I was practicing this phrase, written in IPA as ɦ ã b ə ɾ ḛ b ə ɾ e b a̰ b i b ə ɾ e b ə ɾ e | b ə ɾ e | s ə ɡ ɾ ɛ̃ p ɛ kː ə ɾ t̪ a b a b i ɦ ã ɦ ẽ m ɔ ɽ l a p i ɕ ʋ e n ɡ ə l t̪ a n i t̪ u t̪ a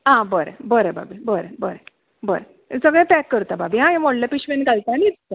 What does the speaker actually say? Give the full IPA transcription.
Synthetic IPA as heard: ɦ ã b ə ɾ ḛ b ə ɾ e b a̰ b i b ə ɾ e b ə ɾ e | b ə ɾ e | s ə ɡ ɭ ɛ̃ p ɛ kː ə ɾ t̪ a b a b i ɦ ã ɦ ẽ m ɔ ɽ l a p i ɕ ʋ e n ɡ a l t̪ a n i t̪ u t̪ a